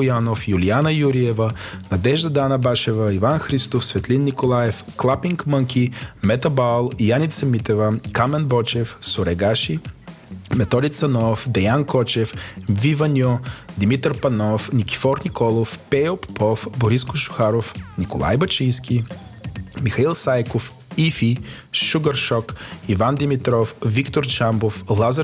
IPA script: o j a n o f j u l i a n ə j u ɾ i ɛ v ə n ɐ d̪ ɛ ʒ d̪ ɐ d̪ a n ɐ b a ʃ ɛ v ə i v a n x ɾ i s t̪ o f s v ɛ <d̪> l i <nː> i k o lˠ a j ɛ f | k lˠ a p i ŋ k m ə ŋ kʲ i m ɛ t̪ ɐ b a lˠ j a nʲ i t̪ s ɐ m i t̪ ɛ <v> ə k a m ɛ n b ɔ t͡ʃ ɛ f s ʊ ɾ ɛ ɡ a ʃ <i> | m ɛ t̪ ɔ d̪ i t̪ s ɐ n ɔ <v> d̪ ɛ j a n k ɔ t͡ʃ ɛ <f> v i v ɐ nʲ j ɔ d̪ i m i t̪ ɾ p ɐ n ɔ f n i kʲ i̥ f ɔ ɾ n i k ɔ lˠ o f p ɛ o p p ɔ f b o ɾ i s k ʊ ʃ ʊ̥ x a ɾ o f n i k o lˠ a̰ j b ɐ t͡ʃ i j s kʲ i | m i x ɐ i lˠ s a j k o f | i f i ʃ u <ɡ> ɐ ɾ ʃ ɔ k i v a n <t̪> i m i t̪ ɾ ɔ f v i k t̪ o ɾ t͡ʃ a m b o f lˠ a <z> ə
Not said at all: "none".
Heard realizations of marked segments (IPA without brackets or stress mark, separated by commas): t̪, nː, v, i, f, f, ɡ, d̪, z